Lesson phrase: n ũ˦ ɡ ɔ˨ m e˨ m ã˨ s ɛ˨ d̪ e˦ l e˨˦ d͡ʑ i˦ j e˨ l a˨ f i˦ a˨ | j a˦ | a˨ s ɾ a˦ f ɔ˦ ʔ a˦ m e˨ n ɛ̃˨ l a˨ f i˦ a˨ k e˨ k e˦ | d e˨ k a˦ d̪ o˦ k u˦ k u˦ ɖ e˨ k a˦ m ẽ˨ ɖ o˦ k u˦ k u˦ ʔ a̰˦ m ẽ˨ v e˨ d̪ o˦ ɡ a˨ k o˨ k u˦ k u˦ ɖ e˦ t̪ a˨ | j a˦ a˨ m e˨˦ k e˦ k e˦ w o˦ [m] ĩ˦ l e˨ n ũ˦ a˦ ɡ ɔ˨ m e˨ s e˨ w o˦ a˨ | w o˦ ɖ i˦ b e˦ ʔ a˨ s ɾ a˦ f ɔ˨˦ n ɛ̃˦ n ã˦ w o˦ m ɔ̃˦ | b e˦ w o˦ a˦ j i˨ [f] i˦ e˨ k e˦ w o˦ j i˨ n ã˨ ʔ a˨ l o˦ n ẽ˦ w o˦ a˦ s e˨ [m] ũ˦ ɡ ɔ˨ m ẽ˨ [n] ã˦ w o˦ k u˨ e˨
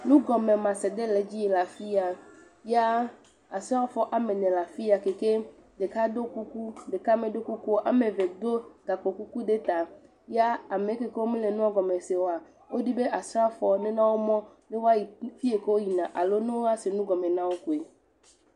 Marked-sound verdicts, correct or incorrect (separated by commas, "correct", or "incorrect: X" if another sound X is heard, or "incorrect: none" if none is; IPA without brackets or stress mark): correct, correct, incorrect: n, correct